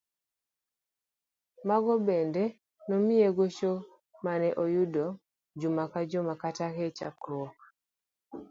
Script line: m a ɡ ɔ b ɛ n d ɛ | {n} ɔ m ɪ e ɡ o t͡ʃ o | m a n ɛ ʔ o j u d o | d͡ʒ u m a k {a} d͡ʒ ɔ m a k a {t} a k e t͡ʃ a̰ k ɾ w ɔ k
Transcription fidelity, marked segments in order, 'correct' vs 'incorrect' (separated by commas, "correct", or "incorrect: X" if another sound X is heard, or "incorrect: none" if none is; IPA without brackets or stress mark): correct, correct, correct